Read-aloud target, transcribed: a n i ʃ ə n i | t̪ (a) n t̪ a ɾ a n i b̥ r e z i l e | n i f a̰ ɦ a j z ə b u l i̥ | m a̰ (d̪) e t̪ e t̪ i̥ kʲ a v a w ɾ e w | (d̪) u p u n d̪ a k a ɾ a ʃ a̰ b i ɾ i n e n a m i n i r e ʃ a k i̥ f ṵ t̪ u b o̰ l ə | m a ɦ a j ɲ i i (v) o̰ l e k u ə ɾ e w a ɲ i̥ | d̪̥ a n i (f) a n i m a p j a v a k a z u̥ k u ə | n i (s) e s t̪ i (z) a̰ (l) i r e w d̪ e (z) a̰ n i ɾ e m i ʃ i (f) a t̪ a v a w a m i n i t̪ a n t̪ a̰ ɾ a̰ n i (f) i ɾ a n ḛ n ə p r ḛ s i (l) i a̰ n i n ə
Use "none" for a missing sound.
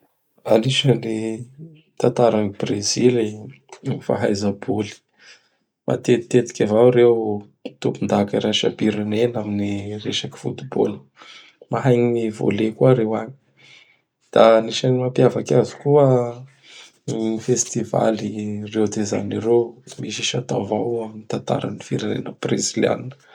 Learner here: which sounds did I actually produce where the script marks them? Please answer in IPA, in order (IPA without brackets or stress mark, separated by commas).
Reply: a, t̪, t̪, v, ʃ, f, v, l, z, ʃ, f, l